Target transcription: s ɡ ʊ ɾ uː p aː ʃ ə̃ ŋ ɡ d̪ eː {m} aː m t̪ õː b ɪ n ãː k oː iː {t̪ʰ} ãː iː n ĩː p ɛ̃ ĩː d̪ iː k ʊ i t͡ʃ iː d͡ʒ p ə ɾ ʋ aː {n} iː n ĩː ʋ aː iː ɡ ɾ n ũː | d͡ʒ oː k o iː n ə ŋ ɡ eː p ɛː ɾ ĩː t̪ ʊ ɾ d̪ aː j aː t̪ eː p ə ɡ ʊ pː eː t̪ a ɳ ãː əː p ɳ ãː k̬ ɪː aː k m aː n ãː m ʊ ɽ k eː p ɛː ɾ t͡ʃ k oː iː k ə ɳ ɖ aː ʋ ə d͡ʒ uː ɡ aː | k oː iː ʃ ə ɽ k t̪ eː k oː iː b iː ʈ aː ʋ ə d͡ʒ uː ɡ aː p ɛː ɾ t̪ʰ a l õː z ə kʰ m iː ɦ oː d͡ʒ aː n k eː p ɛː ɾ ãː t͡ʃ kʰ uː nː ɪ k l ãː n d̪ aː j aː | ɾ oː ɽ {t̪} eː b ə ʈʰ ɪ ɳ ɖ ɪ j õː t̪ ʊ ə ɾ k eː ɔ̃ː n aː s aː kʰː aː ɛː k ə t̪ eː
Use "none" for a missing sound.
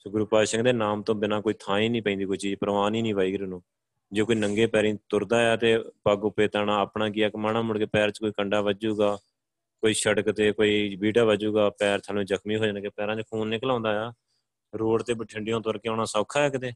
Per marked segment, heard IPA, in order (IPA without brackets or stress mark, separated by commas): n, t̪ʰ, n, t̪